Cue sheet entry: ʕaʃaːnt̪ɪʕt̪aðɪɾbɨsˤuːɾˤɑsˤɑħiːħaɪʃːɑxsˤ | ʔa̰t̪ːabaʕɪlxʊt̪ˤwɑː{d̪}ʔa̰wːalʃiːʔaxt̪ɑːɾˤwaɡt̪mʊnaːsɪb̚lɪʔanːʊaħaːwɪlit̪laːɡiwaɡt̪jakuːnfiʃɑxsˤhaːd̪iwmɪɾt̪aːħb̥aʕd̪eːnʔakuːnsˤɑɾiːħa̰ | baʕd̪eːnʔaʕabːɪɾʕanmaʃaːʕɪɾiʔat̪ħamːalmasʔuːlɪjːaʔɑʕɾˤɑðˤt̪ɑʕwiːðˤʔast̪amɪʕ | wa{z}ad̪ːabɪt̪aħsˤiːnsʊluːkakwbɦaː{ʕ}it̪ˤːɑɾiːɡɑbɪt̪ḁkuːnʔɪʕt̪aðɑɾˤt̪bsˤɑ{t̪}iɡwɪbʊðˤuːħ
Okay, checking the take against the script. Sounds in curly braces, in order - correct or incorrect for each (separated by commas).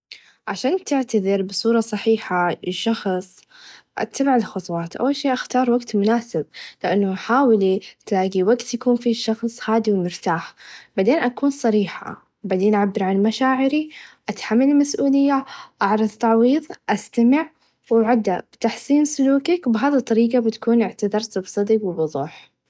incorrect, incorrect, incorrect, incorrect